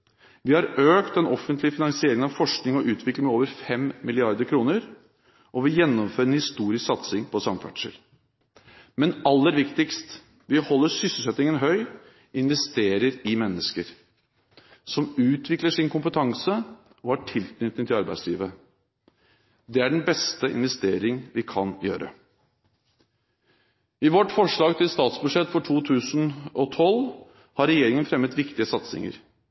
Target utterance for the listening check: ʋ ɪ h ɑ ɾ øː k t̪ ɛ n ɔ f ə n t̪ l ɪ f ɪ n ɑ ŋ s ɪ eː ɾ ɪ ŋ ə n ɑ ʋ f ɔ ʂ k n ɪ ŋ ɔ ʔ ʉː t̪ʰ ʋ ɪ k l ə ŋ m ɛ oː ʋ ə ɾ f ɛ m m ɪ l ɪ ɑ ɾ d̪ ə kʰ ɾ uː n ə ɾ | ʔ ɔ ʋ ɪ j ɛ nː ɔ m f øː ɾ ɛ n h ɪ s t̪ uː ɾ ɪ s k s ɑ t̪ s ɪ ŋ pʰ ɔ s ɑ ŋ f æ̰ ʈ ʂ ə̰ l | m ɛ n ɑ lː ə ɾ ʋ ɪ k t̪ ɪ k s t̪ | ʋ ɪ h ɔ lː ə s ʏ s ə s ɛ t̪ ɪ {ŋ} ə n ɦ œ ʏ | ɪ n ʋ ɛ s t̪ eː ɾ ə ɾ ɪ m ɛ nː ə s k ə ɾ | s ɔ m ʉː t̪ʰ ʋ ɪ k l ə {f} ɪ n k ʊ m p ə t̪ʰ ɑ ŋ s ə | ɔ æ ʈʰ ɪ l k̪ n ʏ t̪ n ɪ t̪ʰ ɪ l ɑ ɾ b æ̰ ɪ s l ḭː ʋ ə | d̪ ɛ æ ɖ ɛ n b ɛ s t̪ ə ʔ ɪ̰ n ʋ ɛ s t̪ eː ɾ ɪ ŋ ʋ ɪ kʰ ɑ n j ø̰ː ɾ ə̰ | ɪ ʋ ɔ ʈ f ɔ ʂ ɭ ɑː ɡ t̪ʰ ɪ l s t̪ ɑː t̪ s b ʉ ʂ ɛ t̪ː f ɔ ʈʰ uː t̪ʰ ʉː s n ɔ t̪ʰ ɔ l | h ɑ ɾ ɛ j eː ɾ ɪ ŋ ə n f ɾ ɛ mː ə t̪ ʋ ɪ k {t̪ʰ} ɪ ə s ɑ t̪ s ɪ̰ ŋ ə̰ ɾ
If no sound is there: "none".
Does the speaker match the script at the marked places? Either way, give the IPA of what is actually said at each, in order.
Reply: ŋ, ʂ, t̪

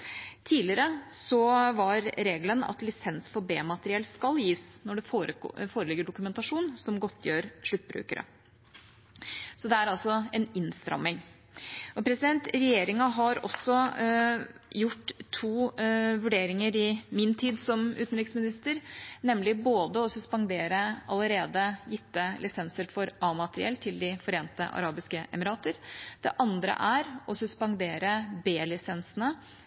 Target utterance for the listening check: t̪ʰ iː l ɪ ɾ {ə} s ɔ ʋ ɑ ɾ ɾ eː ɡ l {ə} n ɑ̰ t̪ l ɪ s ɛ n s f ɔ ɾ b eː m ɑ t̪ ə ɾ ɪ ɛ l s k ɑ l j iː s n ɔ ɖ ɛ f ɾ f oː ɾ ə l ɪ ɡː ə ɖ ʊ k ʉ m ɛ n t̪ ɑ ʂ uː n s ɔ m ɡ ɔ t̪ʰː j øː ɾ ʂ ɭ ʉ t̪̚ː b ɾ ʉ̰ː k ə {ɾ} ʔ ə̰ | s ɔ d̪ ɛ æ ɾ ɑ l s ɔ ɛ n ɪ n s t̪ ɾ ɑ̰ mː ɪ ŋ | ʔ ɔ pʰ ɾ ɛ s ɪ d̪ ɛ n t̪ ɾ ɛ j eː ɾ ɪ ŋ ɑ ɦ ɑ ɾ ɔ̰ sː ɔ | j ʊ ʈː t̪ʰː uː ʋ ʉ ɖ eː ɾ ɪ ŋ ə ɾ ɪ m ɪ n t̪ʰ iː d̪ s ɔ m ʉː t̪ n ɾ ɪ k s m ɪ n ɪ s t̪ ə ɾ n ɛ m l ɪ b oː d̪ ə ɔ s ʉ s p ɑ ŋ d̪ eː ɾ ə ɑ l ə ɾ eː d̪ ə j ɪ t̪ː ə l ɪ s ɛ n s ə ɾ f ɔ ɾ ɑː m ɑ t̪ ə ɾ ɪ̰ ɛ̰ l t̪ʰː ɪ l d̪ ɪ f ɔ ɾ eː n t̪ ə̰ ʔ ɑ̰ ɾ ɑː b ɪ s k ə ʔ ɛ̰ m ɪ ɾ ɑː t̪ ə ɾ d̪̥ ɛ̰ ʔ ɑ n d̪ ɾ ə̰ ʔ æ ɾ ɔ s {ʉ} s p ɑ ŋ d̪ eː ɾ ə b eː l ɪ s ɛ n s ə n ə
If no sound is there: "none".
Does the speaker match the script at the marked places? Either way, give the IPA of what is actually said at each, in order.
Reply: ə, ə, ɾ, ʉ

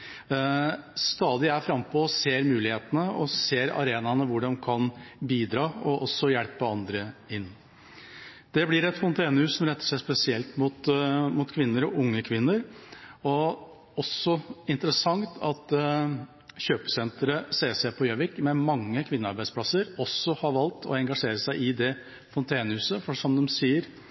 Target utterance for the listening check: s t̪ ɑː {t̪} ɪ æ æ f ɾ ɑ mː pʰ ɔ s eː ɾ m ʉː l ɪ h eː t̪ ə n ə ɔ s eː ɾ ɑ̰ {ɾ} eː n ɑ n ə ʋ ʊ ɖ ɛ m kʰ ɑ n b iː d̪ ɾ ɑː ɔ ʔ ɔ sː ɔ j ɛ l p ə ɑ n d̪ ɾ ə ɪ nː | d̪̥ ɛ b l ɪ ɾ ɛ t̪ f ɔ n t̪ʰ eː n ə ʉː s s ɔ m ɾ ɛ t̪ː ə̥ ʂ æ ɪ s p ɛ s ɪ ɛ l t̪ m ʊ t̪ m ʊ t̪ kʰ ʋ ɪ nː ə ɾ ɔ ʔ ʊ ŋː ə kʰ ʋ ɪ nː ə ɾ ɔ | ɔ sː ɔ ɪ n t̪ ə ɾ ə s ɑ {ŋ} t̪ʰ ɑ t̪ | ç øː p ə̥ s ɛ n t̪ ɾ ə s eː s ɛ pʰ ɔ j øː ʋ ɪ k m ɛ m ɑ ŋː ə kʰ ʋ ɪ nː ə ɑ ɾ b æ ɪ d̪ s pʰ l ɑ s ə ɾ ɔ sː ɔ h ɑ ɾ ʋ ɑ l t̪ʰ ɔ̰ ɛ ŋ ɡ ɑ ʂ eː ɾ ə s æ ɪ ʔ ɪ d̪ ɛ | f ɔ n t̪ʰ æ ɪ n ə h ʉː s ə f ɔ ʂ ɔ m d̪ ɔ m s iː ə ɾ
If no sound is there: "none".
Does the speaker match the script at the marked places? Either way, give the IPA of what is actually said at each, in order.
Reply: d̪, ɾ, ŋ

